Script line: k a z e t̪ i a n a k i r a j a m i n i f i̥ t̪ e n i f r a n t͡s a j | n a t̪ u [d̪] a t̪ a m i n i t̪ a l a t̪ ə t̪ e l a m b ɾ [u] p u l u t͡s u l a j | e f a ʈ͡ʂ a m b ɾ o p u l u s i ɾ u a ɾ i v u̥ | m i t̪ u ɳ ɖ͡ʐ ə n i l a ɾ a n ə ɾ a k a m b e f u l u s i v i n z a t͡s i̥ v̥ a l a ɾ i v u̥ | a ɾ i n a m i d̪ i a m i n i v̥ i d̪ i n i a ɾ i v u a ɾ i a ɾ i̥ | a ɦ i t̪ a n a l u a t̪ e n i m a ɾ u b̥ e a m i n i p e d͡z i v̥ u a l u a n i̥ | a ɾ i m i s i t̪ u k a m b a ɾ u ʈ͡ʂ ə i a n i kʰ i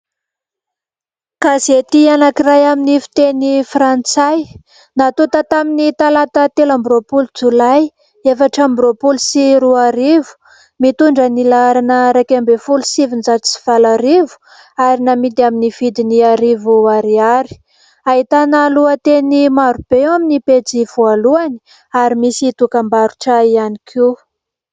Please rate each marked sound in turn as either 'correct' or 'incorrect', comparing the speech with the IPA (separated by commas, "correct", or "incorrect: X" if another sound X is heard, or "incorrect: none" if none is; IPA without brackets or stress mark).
incorrect: t̪, incorrect: o